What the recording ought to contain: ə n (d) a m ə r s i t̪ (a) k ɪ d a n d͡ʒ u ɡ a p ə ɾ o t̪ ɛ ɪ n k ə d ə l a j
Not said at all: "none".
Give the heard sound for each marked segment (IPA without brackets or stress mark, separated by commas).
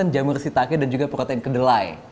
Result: d͡ʒ, a